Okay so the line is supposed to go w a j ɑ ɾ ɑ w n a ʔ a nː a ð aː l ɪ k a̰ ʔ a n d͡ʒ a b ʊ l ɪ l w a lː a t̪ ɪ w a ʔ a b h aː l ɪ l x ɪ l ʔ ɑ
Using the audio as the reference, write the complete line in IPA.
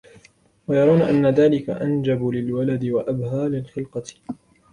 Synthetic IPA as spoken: w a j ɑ ɾ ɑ w n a ʔ a nː a ð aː l ɪ k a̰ ʔ a n d͡ʒ a b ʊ l ɪ l w a l a d̪ ɪ w a ʔ a b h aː l ɪ l x ɪ l q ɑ

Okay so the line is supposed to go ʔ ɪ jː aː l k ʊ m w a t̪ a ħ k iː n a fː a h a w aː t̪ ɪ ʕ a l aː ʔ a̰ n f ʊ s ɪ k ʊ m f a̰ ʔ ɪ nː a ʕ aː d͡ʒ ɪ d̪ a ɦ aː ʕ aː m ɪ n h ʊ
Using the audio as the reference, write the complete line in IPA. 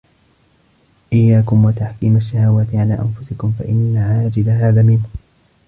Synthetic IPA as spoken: ʔ ɪ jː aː k ʊ m w a t̪ a ħ k iː m a ʃː a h a w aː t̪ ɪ ʕ a l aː ʔ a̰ n f ʊ s ɪ k ʊ m f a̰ ʔ ɪ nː a ʕ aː d͡ʒ ɪ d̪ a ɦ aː ð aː m ɪ n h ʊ

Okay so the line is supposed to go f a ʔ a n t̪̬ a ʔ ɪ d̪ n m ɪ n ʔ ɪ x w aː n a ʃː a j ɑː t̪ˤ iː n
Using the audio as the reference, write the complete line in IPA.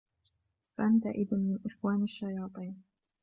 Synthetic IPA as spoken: f a ʔ a n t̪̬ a ʔ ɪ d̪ n m ɪ n ʔ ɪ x w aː n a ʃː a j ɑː t̪ˤ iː n

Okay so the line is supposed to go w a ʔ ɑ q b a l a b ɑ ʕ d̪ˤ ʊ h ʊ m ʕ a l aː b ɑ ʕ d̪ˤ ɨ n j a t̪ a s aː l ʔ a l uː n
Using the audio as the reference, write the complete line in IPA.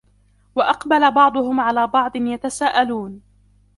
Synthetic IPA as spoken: w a ʔ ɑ q b a l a b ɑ ʕ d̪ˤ ʊ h ʊ m ʕ a l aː b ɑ ʕ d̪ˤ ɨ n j a t̪ a s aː ʔ a l uː n

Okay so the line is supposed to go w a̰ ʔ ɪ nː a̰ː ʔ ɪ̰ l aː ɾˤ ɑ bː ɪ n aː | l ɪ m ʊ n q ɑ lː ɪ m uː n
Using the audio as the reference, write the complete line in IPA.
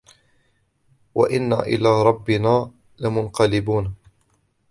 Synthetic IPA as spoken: w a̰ ʔ ɪ nː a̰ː ʔ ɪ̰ l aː ɾˤ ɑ bː ɪ n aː | l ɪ m ʊ n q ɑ l ɪ b uː n

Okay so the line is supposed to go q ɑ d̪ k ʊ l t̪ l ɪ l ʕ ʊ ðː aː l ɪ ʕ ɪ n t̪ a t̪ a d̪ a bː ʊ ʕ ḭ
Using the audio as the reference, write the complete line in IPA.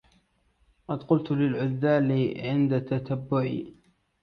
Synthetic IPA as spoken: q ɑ d̪ q ʊ l t̪ l ɪ l ʕ ʊ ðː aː l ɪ ʕ ɪ n d̪ a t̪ a t̪ a bː ʊ ʕ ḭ

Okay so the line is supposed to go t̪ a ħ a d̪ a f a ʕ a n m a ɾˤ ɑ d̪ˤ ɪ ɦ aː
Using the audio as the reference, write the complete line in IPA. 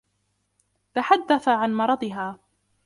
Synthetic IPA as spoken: t̪ a ħ a d̪ː a θ a ʕ a n m ɑ ɾˤ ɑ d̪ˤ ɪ ɦ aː

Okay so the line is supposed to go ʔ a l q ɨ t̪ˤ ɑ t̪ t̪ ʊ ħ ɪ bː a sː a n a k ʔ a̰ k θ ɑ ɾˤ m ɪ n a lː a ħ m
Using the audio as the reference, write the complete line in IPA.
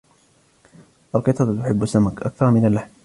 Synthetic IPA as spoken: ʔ a l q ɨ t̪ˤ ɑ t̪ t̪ ʊ ħ ɪ bː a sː a m a k ʔ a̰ k θ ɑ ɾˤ m ɪ n a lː a ħ m

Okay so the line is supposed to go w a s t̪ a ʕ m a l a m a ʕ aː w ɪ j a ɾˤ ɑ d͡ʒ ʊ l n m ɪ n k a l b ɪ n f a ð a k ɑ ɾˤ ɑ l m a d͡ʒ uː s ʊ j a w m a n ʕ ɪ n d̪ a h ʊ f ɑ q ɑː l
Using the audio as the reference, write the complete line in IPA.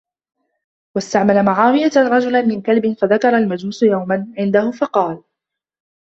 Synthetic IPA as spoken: w a s t̪ a ʕ m a l a m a ʕ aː w ɪ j a ɾˤ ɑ d͡ʒ ʊ l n m ɪ n k a l b ɪ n f a ð a k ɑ ɾˤ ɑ l m a d͡ʒ uː s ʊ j a w m a n ʕ ɪ n d̪ a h ʊ f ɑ q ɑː l

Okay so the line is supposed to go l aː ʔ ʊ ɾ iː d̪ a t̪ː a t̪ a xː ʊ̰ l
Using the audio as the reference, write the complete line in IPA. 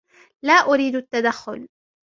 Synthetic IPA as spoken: l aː ʔ ʊ ɾ iː d̪ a t̪ː a d̪ a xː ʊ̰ l

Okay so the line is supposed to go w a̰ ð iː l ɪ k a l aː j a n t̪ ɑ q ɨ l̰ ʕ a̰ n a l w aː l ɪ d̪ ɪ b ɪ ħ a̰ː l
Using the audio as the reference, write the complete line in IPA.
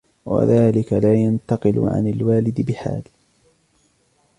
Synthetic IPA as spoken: w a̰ ð aː l ɪ k a l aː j a n t̪ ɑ q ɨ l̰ ʕ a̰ n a l w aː l ɪ d̪ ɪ b ɪ ħ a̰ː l

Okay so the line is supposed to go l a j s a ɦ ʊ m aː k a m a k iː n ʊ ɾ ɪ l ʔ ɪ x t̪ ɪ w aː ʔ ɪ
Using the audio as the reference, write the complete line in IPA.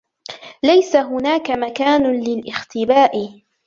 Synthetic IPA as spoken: l a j s a ɦ ʊ n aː k a m a k aː n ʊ l ɪ l ʔ ɪ x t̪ ɪ b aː ʔ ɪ

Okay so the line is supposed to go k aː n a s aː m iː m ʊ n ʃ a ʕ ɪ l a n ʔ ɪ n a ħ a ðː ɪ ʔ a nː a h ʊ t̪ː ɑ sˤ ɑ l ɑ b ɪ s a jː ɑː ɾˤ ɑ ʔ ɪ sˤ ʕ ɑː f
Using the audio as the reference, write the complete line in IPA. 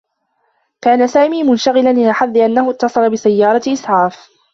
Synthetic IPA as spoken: k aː n a s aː m iː m ʊ n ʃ a ɣ ɪ l a n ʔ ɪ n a ħ a ðː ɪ ʔ a nː a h ʊ t̪ː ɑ sˤ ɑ l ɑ b ɪ s a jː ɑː ɾˤ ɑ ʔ ɪ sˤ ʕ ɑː f

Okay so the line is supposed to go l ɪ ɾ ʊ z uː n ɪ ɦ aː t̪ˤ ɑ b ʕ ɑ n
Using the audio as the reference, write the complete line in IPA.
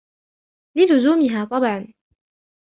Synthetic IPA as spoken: l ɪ l ʊ z uː m ɪ ɦ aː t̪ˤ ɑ b ʕ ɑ n

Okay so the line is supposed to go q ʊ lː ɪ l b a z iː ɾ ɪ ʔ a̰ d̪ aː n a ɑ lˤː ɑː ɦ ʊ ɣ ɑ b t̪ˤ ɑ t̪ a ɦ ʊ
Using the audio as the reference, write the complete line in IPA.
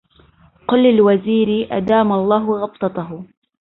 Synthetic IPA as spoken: q ʊ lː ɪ l w a z iː ɾ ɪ ʔ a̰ d̪ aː m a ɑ lˤː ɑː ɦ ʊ ɣ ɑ b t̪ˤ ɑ t̪ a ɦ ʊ

